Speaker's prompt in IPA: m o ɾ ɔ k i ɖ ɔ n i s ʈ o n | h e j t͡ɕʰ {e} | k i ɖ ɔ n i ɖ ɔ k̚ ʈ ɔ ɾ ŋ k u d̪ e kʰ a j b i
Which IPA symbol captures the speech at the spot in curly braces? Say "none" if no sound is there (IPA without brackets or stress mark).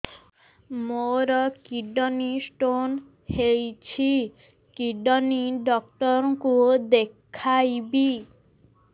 i